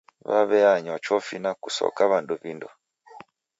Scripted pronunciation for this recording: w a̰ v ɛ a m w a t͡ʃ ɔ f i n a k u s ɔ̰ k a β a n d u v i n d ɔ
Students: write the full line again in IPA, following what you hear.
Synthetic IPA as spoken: β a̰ β ɛ a ɲ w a t͡ʃ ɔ f i n a k u s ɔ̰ k a β a n d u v i n d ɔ

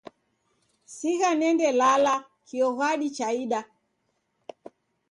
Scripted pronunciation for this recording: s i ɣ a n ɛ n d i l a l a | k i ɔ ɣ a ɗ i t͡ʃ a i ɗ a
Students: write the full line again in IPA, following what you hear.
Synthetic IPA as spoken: s i ɣ a n ɛ n d ɛ l a l a | k i ɔ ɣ a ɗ i t͡ʃ a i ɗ a

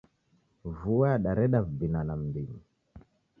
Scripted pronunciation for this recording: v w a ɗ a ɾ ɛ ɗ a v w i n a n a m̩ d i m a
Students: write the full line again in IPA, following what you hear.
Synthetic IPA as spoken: v u a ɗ a ɾ ɛ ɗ a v b i n a n a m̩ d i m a

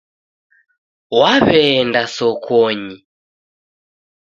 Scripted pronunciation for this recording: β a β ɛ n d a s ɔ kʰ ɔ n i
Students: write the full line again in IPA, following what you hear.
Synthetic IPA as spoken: w a β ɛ n d a s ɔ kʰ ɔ ɲ i

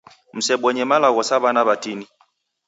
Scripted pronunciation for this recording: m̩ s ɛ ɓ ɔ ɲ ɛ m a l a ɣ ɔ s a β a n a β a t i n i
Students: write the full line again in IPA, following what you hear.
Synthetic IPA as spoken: m̩ s ɛ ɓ ɔ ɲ ɛ m a l a ɣ ɔ s a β a n a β a t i n i

